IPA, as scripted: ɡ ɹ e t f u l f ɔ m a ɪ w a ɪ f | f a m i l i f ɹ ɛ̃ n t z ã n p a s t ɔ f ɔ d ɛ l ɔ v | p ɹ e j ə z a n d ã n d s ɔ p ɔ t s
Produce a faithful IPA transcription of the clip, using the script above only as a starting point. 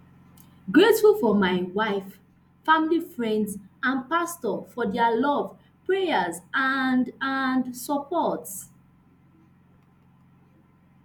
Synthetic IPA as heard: ɡ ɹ e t f u l f ɔ m a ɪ w a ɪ f | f a m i l i f ɹ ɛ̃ n d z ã n p a s t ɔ f ɔ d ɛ l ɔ v | p ɹ e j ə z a n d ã n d s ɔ p ɔ t s